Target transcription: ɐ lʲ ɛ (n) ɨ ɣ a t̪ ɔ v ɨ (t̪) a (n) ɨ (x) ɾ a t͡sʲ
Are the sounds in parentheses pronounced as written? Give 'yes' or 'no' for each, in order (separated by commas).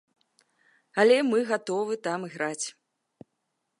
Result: no, yes, no, no